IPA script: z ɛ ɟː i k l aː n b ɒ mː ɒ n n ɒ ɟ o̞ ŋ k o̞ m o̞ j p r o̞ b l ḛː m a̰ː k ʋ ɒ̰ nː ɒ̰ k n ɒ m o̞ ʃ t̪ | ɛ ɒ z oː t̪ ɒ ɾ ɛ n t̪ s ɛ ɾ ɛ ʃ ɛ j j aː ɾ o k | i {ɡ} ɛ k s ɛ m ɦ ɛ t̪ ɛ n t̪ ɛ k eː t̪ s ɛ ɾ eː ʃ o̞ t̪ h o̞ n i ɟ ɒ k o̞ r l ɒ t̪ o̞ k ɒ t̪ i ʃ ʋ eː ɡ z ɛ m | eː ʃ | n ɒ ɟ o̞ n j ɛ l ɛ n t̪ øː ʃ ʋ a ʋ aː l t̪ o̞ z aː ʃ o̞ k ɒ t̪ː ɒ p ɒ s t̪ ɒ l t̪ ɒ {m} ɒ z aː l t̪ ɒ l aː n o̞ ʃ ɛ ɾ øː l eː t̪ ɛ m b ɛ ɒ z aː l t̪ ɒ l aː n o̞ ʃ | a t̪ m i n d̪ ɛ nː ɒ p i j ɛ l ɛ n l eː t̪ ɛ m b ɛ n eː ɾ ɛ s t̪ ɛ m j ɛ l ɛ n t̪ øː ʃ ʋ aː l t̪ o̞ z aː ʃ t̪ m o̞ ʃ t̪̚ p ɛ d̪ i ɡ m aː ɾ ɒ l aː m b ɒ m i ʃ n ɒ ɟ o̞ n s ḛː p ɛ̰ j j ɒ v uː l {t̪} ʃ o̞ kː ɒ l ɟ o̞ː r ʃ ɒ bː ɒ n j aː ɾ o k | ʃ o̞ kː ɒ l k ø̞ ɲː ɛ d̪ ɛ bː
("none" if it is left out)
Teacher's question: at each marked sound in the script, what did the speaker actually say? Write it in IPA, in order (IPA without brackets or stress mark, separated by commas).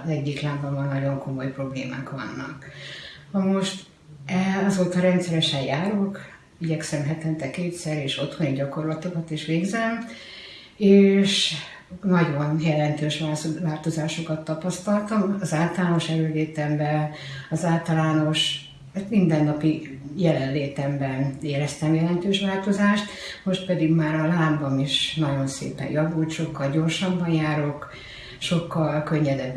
ɟ, m, t̪